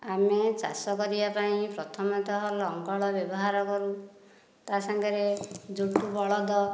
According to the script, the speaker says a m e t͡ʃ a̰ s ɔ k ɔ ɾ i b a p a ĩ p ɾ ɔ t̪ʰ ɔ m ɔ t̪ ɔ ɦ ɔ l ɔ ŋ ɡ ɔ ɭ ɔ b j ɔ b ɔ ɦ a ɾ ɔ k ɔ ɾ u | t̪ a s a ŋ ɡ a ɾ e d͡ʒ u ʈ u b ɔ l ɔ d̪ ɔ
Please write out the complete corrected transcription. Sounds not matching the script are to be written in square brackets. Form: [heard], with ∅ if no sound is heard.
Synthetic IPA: a m e t͡ʃ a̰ s ɔ k ɔ ɾ i b a p a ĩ p ɾ ɔ t̪ʰ ɔ m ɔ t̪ ɔ ɦ ɔ l ɔ ŋ ɡ ɔ ɭ ɔ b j ɔ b ɔ ɦ a ɾ ɔ k ɔ ɾ u | t̪ a s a ŋ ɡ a ɾ e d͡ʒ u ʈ u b ɔ [ɭ] ɔ d̪ ɔ